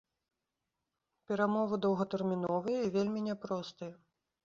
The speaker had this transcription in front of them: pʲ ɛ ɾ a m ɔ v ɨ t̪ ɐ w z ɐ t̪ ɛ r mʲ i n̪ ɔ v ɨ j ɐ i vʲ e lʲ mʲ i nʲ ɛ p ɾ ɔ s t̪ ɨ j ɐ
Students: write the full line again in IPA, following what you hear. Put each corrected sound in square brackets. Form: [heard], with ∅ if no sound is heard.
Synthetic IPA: pʲ ɛ ɾ a m ɔ v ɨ [d̪] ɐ w [ɣ] ɐ t̪ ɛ r mʲ i n̪ ɔ v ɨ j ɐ i vʲ e lʲ mʲ i nʲ ɛ p ɾ ɔ s t̪ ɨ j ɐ